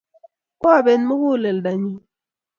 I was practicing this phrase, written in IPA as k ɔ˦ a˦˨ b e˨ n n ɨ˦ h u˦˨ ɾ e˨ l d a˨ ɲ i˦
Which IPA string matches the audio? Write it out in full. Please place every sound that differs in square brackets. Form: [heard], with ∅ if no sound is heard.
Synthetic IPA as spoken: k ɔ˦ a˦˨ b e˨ n [m] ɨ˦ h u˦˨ [l] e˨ l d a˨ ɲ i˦